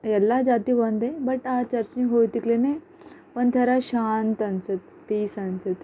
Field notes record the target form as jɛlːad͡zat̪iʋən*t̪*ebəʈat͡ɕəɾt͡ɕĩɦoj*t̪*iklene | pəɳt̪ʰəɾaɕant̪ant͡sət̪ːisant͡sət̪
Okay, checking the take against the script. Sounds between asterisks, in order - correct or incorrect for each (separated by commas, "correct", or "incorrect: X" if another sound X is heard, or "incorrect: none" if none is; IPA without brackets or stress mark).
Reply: incorrect: d̪, correct